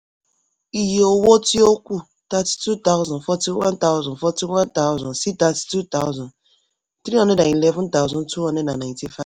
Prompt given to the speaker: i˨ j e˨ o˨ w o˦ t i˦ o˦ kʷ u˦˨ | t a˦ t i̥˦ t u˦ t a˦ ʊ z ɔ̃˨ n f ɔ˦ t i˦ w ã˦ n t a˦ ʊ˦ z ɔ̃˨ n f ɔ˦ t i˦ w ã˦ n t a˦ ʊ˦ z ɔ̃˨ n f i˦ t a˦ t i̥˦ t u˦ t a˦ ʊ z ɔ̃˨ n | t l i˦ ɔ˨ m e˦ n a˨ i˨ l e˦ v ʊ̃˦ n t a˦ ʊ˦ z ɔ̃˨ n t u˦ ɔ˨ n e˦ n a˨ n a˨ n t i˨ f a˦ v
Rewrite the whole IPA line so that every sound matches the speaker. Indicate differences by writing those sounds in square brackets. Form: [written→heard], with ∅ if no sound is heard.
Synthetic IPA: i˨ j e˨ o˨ w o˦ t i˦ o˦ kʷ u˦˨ | t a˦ t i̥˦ t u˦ t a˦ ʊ z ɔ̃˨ n f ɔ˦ t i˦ w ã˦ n t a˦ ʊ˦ z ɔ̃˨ n f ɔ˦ t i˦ w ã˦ n t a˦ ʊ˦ z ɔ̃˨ n [f→s] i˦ t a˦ t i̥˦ t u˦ t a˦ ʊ z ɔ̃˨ n | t [l→ɾ] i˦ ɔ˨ [m→n] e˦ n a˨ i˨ l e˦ v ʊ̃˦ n t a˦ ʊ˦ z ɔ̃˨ n t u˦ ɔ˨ n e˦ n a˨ n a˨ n t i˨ f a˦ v